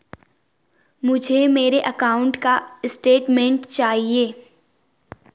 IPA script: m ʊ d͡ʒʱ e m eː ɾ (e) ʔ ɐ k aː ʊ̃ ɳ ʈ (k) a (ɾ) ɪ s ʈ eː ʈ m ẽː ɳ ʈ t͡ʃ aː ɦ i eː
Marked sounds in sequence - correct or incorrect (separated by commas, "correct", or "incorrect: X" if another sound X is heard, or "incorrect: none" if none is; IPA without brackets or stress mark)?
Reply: correct, correct, incorrect: none